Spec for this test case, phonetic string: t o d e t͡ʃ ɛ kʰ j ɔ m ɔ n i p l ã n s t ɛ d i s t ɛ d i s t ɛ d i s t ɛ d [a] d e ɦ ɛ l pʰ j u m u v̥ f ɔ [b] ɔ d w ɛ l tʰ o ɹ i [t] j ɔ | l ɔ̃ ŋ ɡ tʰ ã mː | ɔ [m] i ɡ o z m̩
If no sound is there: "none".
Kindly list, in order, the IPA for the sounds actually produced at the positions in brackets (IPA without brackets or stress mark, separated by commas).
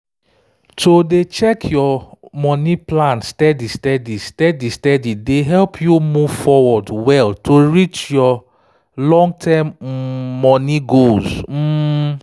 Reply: i, w, t͡ʃ, n